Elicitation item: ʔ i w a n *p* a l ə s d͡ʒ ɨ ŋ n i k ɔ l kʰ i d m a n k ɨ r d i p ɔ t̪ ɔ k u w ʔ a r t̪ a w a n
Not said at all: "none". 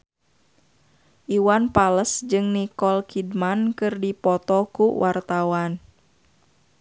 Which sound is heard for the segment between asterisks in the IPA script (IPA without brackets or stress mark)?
p